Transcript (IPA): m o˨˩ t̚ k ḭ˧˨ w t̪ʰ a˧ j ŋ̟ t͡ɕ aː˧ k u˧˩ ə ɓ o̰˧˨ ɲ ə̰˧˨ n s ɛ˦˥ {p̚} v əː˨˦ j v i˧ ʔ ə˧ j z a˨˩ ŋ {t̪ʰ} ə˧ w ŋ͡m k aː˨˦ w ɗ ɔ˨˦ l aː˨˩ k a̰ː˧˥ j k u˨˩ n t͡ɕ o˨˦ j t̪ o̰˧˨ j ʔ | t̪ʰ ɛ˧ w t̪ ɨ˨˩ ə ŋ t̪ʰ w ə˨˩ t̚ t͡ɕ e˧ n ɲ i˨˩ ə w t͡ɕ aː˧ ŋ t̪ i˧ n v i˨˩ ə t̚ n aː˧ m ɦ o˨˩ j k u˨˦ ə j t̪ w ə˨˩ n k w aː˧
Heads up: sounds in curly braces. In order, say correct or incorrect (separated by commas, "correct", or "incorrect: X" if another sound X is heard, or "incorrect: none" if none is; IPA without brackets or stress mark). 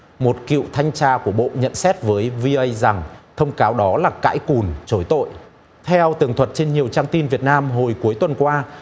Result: incorrect: t̚, correct